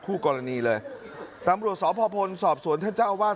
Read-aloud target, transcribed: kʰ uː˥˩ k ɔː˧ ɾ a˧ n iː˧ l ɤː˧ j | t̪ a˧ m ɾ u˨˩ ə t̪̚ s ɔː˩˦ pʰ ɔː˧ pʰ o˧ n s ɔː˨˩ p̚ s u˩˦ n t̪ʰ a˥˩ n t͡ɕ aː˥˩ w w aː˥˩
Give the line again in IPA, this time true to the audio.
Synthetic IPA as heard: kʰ uː˥˩ k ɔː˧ ɾ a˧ n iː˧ l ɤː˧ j | t̪ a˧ m ɾ u˨˩ ə t̪̚ s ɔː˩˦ pʰ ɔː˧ pʰ o˧ n s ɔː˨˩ p̚ s u˩˦ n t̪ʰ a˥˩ n t͡ɕ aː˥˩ w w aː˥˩

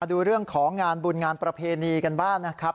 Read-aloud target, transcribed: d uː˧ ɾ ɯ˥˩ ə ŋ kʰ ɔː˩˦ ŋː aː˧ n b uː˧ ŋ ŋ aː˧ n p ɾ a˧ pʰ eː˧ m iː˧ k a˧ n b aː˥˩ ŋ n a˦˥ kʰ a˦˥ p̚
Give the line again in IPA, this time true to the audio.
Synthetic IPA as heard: d uː˧ ɾ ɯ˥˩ ə ŋ kʰ ɔː˩˦ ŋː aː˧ n b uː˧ n ŋ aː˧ n p ɾ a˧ pʰ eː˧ n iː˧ k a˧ n b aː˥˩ ŋ n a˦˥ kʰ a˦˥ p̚

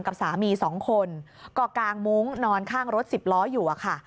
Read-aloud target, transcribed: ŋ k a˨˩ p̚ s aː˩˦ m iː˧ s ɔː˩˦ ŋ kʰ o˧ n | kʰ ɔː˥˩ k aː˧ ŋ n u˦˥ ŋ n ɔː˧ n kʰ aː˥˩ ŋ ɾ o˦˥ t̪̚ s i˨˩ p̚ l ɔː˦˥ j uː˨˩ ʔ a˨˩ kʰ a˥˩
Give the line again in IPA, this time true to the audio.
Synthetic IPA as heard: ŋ k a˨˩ p̚ s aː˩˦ m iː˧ s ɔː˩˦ ŋ kʰ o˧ n | k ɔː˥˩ k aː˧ ŋ m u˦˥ ŋ n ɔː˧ n kʰ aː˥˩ ŋ ɾ o˦˥ t̪̚ s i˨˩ p̚ l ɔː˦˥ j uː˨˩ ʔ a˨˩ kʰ a˥˩

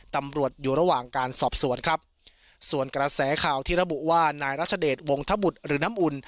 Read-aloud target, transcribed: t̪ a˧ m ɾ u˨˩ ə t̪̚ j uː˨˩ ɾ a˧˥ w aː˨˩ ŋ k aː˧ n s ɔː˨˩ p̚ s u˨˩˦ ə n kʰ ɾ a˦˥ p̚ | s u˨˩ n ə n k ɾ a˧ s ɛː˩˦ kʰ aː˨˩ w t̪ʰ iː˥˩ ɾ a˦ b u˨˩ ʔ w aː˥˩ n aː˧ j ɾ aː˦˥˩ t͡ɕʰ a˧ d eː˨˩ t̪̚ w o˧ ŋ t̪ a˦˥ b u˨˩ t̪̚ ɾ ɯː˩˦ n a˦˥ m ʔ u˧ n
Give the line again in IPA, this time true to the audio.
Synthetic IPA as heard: t̪ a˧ m ɾ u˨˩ ə t̪̚ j uː˨˩ ɾ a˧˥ w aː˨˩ ŋ k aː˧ n s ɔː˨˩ p̚ s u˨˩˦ ə n kʰ ɾ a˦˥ p̚ | s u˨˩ ə n k ɾ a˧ s ɛː˩˦ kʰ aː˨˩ w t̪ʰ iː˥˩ ɾ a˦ b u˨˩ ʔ w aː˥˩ n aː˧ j ɾ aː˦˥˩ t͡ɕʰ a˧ d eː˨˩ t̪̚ w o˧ ŋ t̪ʰ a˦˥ b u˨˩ t̪̚ ɾ ɯː˩˦ n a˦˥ m ʔ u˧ n

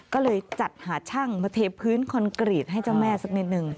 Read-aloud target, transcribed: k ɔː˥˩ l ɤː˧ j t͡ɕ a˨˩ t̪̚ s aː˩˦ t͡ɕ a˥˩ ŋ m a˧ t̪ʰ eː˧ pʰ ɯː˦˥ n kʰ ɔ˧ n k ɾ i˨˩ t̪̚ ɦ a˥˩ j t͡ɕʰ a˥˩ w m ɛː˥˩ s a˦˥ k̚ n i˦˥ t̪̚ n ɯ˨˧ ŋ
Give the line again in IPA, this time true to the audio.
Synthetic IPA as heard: k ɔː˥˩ l ɤː˧ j t͡ɕ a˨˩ t̪̚ h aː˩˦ t͡ɕʰ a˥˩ ŋ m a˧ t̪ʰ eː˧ pʰ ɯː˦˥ n kʰ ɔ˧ n k ɾ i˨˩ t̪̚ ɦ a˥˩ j t͡ɕ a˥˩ w m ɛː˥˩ s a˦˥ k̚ n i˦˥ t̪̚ n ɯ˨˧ ŋ

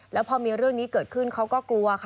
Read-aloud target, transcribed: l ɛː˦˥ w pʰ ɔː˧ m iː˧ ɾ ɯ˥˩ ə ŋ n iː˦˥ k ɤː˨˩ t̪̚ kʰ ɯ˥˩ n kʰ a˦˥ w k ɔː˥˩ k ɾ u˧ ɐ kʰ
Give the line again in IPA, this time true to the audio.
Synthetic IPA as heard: l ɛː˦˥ w pʰ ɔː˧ m iː˧ ɾ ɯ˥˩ ə ŋ n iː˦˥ k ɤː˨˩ t̪̚ kʰ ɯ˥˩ n kʰ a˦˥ w k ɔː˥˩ k l u˧ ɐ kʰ

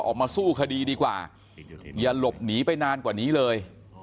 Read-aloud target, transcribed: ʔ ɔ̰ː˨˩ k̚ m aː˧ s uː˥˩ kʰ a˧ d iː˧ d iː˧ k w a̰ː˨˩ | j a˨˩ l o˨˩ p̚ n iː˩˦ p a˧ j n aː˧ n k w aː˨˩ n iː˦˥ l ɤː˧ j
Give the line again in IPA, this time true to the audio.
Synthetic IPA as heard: ʔ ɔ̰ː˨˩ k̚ m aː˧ s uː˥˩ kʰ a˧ d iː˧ d iː˧ k w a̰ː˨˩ | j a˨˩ l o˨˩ p̚ n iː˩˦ p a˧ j n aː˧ n k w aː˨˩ n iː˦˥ l ɤː˧ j

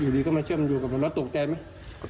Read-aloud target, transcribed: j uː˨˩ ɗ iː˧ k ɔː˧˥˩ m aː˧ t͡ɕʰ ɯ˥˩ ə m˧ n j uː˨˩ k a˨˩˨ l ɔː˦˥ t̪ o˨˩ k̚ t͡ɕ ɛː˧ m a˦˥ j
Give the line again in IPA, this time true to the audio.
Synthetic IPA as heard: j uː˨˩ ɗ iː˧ k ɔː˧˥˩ m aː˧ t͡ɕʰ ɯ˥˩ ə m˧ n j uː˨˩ k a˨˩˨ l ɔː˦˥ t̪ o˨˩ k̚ t͡ɕ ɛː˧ m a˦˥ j

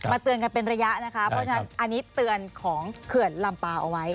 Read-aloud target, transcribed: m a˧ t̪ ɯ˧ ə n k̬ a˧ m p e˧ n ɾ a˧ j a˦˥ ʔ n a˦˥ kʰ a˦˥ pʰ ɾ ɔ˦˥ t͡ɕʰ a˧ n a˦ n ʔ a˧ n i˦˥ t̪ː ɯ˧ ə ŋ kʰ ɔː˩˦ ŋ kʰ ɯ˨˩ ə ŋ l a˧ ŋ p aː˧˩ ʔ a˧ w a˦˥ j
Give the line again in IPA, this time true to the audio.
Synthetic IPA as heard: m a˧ t̪ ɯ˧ ə n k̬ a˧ n p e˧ n ɾ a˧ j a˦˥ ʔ n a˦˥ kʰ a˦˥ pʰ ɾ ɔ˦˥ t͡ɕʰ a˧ n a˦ n ʔ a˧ n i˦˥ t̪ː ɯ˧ ə n kʰ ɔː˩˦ ŋ kʰ ɯ˨˩ ə n l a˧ m p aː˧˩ ʔ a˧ w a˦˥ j

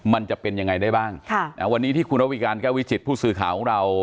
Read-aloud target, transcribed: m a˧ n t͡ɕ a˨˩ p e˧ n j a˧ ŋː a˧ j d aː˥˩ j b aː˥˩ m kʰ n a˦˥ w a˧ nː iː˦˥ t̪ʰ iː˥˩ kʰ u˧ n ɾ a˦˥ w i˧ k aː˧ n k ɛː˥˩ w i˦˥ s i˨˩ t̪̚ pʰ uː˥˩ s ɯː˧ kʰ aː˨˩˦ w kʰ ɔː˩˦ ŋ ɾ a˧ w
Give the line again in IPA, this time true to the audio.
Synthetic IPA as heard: m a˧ n t͡ɕ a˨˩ p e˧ n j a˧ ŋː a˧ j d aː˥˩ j b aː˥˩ ŋ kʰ n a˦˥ w a˧ nː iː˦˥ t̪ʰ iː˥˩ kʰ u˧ n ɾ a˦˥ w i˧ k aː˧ n k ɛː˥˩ w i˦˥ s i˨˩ t̪̚ pʰ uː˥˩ s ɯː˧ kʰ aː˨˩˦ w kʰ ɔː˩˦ ŋ ɾ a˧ w

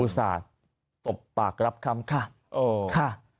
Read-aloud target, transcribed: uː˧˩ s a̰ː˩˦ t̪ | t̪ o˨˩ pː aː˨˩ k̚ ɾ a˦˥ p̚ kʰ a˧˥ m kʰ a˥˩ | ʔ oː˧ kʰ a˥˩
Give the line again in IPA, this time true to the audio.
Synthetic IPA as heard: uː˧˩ s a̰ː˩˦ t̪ | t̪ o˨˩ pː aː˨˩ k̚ ɾ a˦˥ p̚ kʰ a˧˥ m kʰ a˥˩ | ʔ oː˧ kʰ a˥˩

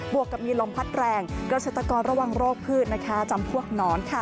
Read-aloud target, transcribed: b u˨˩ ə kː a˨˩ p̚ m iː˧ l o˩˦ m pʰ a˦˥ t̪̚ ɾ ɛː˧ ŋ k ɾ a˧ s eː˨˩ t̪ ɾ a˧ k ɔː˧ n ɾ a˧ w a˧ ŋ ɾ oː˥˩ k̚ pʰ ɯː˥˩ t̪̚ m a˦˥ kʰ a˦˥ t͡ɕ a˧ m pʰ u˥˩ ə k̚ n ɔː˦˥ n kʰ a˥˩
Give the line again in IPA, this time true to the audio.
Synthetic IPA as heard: b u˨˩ ə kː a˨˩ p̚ m iː˧ l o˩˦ m pʰ a˦˥ t̪̚ ɾ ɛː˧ ŋ k ɾ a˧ s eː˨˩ t̪ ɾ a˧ k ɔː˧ n ɾ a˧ w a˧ ŋ ɾ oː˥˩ k̚ pʰ ɯː˥˩ t̪̚ n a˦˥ kʰ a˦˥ t͡ɕ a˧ m pʰ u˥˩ ə k̚ n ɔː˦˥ n kʰ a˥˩

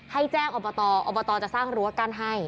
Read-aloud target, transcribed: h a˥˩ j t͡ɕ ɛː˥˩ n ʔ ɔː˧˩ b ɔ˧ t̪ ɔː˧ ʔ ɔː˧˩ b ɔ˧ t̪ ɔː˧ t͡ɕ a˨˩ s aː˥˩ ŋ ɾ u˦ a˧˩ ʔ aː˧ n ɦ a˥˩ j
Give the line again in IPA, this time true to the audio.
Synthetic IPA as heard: h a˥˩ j t͡ɕ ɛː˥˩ ŋ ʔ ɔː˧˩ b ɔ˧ t̪ ɔː˧ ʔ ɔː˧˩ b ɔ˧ t̪ ɔː˧ t͡ɕ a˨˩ s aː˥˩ ŋ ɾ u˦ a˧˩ k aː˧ n ɦ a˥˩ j

